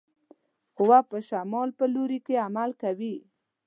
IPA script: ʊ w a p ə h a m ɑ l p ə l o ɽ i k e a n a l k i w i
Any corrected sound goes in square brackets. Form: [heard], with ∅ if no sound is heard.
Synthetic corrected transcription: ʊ w a p ə [ʃ] a m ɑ l p ə l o [ɾ] i k e a [m] a l k [a] w i